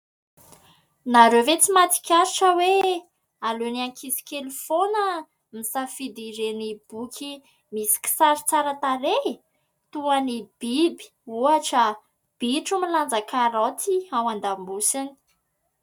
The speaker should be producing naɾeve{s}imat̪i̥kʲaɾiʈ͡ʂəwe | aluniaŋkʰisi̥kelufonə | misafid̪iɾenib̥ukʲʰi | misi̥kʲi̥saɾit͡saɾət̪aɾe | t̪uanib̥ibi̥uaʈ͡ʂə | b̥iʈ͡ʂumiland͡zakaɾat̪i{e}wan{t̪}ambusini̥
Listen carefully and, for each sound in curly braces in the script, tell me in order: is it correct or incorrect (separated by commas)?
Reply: incorrect, incorrect, incorrect